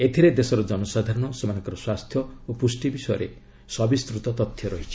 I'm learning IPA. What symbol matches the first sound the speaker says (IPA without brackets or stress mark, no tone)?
e